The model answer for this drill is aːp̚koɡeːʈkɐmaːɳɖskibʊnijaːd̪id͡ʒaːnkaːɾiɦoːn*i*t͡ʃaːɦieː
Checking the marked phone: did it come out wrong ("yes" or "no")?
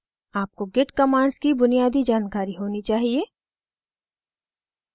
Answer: no